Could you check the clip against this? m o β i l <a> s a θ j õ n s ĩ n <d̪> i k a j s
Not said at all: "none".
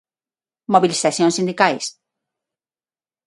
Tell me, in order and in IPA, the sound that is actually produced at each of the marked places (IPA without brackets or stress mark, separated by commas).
i, d̪